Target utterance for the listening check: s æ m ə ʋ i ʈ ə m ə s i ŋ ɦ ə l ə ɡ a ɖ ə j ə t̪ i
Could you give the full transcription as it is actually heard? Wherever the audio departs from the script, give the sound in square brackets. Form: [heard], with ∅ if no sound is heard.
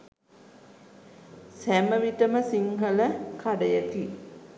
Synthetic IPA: s æ m ə ʋ i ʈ ə m ə s i ŋ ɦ ə l ə [k] a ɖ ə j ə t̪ i